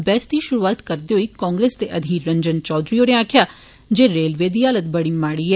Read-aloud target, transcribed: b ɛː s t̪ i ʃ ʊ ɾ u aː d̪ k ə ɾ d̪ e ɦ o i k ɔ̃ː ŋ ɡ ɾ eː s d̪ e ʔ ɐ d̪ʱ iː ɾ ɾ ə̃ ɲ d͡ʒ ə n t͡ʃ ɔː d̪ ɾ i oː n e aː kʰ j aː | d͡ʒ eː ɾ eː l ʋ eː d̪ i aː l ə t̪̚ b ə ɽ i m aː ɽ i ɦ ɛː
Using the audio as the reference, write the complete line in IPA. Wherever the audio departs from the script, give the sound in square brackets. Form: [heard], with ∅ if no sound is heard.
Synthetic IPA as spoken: b ɛː s t̪ i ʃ ʊ ɾ u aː [t̪] k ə ɾ d̪ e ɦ o i k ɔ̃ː ŋ ɡ ɾ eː s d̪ e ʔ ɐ d̪ʱ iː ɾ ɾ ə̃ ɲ d͡ʒ ə n t͡ʃ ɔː d̪ ɾ i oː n e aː kʰ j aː | d͡ʒ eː ɾ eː l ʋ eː d̪ i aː l ə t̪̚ b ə ɽ i m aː ɽ i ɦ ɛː